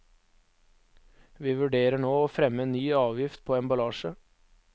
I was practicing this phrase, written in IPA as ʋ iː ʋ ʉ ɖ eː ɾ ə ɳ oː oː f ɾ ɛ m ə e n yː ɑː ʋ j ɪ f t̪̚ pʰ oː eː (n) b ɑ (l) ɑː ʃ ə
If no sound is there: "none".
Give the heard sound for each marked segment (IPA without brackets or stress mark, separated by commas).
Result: n, l